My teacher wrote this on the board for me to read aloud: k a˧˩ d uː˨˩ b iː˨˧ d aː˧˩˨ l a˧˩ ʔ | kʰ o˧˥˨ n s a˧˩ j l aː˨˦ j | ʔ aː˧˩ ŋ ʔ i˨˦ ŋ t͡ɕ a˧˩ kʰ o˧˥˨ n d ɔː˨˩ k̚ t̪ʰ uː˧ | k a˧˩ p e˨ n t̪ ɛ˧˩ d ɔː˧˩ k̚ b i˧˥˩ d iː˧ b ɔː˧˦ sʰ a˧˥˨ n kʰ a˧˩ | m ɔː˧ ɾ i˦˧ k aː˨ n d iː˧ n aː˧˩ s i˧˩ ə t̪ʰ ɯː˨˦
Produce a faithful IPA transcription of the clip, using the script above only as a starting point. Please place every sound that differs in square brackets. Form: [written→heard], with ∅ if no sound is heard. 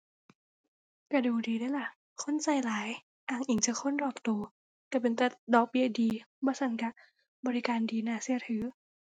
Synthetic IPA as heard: k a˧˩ d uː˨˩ [b→d] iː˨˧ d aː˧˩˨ l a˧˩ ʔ | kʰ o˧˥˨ n s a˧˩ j l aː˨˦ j | ʔ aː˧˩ ŋ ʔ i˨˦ ŋ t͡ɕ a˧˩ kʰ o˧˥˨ n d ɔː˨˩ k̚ [t̪ʰ→t̪] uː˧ | k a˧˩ p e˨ n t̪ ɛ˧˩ d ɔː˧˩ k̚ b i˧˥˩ d iː˧ b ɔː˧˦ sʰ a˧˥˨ n [kʰ→k] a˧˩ | [m→b] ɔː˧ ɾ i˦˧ k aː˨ n d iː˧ n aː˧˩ s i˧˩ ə t̪ʰ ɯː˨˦